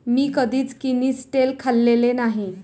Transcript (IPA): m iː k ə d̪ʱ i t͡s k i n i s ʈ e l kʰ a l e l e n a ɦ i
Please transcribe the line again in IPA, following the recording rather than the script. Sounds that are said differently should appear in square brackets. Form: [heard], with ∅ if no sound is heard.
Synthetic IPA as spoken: m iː k ə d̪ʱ [iː] t͡s k i n i s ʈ e l kʰ a [lː] e l e n a ɦ i